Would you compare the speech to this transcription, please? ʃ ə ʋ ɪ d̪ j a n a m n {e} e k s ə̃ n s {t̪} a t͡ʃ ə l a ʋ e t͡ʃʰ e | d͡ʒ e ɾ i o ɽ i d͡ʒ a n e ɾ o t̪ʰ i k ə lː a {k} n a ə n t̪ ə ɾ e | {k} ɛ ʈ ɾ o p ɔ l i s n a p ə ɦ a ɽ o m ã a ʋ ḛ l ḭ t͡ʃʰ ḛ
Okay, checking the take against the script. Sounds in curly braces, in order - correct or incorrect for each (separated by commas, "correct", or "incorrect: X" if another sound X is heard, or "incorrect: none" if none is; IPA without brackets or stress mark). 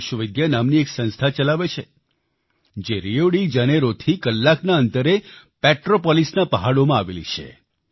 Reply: incorrect: i, incorrect: t̪ʰ, correct, incorrect: p